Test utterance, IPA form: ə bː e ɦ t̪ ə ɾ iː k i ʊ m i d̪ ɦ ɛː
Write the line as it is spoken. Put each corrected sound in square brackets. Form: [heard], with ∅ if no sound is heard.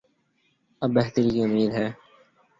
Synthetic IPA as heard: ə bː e ɦ t̪ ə ɾ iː k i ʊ m [iː] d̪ ɦ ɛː